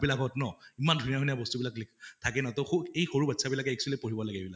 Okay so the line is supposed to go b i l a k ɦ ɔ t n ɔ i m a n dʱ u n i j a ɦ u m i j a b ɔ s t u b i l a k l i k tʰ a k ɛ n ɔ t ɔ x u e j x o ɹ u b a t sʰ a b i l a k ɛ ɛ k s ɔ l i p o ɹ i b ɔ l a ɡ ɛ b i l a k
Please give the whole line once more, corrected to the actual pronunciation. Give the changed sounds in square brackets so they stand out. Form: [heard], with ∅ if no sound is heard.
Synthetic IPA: b i l a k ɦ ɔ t n ɔ i m a n dʱ u n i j a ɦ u [n] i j a b ɔ s t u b i l a k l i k tʰ a k ɛ n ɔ t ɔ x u e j x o ɹ u b a t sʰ a b i l a k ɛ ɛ k s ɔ l i p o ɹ i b ɔ l a ɡ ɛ b i l a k